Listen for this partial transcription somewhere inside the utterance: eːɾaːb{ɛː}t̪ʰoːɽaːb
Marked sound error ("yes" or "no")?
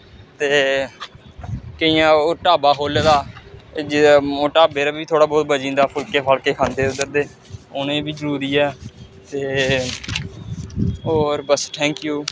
yes